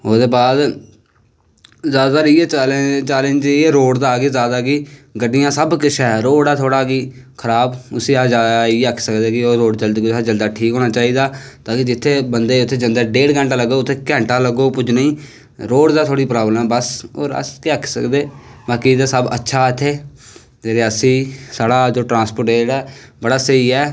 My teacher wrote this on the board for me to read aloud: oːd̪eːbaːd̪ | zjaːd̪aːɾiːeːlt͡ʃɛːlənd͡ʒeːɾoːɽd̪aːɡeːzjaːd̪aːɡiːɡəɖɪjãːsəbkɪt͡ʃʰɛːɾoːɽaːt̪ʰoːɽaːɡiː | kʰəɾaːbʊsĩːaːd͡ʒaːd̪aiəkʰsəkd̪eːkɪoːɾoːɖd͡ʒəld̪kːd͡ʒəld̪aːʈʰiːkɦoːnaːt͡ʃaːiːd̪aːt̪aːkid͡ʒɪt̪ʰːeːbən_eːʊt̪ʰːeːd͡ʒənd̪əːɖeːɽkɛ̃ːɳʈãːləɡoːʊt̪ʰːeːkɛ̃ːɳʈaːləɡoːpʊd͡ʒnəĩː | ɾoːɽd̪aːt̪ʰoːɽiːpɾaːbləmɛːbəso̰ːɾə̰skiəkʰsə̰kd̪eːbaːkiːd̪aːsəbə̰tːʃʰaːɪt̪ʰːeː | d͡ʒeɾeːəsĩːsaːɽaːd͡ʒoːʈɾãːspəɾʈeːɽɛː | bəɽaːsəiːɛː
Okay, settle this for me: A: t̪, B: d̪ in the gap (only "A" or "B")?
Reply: B